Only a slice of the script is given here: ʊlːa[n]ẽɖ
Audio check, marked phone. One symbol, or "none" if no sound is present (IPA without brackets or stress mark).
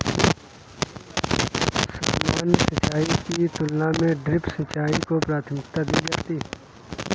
m